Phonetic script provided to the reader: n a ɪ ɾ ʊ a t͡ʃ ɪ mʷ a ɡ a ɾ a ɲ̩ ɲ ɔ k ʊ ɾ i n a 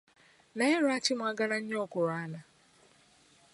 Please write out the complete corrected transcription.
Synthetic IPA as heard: n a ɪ ɾ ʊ a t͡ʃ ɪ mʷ a ɡ a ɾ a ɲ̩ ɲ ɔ k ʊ ɾ a n a